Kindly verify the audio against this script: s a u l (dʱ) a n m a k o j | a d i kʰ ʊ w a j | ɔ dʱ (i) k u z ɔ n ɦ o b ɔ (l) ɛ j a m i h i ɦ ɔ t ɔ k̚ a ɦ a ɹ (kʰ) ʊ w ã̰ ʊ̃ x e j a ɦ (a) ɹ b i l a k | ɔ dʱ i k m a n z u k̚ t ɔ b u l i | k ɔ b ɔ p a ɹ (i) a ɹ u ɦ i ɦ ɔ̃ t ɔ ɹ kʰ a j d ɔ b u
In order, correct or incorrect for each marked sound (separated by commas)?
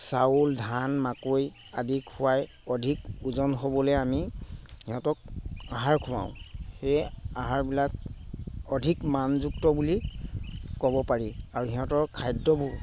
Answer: correct, correct, correct, correct, correct, correct